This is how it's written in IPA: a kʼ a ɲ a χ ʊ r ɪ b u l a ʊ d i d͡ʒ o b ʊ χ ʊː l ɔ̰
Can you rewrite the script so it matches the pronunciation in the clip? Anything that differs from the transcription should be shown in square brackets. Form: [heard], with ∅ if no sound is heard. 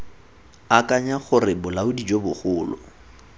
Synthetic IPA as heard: a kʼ a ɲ a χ ʊ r ɪ b [ʊ] l a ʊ d i d͡ʒ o b ʊ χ ʊː l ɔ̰

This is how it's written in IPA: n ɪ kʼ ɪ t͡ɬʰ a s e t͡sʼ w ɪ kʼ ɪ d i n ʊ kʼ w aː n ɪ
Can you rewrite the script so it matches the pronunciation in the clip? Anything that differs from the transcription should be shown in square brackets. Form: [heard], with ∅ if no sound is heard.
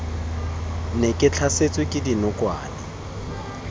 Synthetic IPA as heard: n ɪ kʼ ɪ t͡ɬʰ a s e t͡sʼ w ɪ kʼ ɪ d i n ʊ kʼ w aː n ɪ

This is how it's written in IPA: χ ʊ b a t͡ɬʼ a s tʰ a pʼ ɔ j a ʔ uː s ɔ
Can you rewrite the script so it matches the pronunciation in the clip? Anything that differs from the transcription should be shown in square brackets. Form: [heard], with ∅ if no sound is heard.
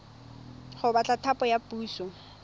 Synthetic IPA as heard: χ ʊ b a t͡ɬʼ a [∅] tʰ a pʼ ɔ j a [p] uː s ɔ

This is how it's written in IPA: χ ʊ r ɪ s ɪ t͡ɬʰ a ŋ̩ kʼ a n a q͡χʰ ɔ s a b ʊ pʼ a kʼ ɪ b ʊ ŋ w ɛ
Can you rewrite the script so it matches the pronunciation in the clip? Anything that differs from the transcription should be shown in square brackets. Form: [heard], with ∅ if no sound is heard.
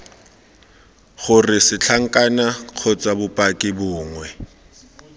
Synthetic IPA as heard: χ ʊ r ɪ s ɪ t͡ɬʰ a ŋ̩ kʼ a n a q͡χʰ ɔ [t͡s] a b ʊ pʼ a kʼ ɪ b [ʊː] ŋ w ɛ

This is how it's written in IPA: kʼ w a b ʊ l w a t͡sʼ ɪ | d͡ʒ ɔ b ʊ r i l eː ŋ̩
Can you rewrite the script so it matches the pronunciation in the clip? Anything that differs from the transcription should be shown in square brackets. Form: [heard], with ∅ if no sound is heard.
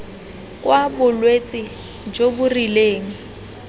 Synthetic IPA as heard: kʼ w a b ʊ l w [e] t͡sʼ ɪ | d͡ʒ [o] b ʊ r i l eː ŋ̩

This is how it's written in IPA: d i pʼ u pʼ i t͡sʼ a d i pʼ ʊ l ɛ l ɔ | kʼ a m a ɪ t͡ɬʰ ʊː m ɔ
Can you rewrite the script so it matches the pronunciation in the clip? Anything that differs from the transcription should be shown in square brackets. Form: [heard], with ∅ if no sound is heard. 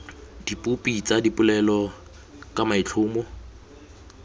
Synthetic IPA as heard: d i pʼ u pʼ i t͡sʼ a d i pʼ ʊ l ɛ l ɔ | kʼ a m a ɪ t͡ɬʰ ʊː m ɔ

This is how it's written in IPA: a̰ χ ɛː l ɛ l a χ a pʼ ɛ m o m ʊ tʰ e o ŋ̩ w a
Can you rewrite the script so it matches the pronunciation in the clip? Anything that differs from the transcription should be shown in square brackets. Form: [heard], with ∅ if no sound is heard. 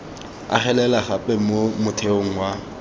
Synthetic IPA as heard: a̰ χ [ɛ] l ɛ l a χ a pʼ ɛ m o m ʊ tʰ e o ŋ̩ w a

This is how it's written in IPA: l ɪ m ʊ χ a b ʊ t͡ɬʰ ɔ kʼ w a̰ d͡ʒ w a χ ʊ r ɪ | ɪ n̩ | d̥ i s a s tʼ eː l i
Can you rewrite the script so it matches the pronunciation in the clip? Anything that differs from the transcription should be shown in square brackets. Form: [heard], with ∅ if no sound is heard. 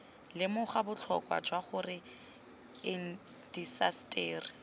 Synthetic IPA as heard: l ɪ m ʊ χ a b ʊ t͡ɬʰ ɔ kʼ w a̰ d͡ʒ w a χ ʊ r ɪ | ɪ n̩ | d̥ i s a s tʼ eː [r] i

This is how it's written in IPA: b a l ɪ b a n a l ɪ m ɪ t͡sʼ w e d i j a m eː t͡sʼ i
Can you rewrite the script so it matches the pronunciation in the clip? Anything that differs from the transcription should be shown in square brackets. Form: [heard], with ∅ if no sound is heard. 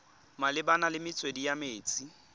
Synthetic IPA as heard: [m] a l ɪ b a n a l ɪ m ɪ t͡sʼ w e d i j a m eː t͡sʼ i

